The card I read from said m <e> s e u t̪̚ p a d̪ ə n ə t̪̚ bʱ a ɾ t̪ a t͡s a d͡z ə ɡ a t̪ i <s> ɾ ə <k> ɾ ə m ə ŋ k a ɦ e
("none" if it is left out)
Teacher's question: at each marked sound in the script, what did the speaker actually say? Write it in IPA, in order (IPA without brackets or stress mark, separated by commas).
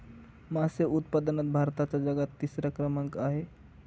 a, s, k